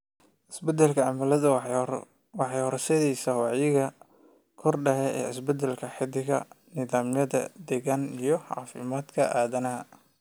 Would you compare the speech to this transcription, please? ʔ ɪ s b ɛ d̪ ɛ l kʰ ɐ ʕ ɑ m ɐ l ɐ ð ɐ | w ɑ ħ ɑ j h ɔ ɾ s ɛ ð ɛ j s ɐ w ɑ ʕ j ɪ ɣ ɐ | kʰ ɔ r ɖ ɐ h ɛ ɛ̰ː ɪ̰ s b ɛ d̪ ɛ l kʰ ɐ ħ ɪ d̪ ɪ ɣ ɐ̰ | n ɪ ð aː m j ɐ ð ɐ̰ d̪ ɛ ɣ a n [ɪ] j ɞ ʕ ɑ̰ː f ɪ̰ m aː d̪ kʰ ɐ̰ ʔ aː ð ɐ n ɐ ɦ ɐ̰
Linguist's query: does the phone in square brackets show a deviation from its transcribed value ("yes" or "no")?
yes